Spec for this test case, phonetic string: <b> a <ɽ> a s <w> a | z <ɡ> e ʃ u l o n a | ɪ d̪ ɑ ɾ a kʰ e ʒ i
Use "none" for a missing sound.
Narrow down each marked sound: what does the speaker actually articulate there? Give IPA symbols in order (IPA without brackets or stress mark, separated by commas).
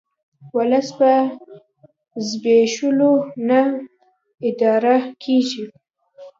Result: w, l, b, b